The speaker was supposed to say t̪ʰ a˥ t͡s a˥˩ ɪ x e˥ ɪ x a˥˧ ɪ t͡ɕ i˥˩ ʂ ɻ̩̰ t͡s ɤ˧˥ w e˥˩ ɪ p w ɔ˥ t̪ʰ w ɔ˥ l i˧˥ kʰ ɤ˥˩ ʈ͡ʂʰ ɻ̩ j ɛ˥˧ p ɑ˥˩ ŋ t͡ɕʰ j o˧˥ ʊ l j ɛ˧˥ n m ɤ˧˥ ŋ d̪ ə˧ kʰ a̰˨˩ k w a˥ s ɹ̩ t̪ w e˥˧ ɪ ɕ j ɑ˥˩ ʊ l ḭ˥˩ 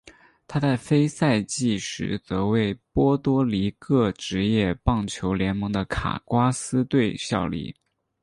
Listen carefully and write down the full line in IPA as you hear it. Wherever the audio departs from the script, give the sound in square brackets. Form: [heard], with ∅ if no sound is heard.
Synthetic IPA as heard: t̪ʰ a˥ t͡s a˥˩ ɪ [f] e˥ ɪ [s] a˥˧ ɪ t͡ɕ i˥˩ ʂ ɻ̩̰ t͡s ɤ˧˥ w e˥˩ ɪ p w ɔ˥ [t̪] w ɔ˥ l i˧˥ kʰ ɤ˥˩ [ʈ͡ʂ] ɻ̩ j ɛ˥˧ p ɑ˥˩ ŋ t͡ɕʰ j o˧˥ ʊ l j ɛ˧˥ n m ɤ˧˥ ŋ d̪ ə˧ kʰ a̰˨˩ k w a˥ s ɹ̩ t̪ w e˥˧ ɪ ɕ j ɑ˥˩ ʊ l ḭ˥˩